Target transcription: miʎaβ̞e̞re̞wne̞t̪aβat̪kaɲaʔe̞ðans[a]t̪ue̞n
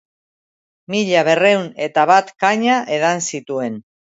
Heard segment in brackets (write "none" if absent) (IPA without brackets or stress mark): i